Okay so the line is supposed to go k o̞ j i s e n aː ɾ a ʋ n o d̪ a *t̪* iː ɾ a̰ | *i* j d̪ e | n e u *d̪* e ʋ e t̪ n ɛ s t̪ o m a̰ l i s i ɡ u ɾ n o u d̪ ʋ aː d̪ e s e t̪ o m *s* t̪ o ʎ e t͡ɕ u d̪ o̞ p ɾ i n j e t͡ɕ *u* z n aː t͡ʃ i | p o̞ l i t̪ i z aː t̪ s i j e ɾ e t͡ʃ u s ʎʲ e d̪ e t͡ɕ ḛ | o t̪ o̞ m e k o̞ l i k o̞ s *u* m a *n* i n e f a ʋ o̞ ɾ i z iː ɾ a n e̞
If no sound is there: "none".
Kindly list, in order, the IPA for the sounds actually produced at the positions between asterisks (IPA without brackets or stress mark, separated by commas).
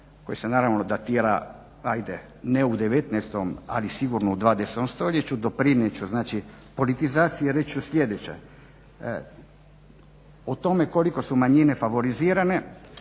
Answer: t̪, a, d̪, s, u, u, ɲ